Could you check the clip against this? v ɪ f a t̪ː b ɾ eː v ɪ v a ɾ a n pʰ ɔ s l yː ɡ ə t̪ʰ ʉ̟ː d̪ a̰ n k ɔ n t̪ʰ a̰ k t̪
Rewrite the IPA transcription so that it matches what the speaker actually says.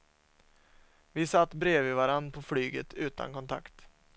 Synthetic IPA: v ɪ s a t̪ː b ɾ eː v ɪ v a ɾ a n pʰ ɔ f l yː ɡ ə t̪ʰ ʉ̟ː t̪ a̰ n k ɔ n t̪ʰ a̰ k t̪